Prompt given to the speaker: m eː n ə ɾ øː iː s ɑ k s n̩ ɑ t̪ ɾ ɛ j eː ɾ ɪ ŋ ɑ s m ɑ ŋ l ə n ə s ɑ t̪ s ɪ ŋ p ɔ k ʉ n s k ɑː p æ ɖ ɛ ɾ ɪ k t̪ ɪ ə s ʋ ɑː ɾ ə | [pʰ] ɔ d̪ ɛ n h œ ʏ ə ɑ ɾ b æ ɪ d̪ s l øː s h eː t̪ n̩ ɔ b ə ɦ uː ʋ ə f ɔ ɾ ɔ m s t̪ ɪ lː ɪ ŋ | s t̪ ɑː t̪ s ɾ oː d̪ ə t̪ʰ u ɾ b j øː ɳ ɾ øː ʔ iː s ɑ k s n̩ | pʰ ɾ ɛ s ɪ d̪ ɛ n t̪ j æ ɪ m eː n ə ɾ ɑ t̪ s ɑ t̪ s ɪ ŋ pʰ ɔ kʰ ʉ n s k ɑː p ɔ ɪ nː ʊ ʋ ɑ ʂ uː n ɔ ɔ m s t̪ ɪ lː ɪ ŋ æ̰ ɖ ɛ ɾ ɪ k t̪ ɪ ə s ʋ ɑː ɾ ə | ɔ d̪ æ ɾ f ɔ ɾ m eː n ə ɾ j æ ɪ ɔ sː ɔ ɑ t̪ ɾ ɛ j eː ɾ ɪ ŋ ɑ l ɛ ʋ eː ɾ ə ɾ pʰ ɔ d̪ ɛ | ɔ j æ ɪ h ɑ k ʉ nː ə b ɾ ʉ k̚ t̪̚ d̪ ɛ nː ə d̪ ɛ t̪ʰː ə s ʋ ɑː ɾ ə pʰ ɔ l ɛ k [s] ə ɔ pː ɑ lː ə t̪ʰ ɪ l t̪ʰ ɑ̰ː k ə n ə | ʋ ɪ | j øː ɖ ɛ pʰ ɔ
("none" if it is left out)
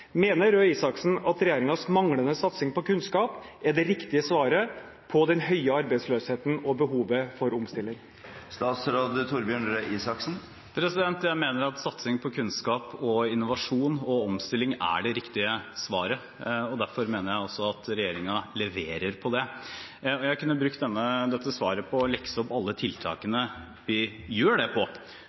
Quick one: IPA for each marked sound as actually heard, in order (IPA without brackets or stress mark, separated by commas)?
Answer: pʰ, s